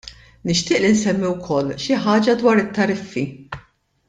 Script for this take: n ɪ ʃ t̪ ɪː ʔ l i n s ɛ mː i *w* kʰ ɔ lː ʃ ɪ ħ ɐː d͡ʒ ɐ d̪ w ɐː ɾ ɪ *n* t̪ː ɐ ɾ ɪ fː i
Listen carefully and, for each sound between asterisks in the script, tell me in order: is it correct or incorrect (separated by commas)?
correct, incorrect